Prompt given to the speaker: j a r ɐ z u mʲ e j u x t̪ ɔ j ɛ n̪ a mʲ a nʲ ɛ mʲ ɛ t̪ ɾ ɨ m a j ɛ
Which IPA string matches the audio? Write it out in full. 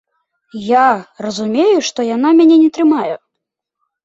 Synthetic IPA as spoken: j a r ɐ z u mʲ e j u ʂ t̪ ɔ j a n̪ a mʲ a nʲ ɛ nʲ ɛ t̪ ɾ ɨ m a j ɛ